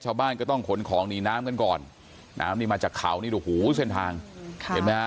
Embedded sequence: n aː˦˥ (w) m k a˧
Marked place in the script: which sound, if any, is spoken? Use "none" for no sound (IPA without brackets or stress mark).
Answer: none